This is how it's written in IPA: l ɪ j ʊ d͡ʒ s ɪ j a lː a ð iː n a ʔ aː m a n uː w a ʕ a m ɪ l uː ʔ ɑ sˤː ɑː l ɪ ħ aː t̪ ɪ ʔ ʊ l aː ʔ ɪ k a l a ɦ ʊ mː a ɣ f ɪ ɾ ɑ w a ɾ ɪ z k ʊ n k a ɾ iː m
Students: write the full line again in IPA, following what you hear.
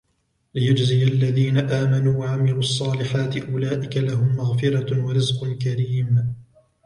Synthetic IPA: l ɪ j ʊ d͡ʒ z ɪ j a lː a ð iː n a ʔ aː m a n uː w a ʕ a m ɪ l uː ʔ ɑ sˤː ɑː l ɪ ħ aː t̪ ɪ ʔ ʊ l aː ʔ ɪ k a l a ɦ ʊ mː a ɣ f ɪ ɾ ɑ w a ɾ ɪ z q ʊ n k a ɾ iː m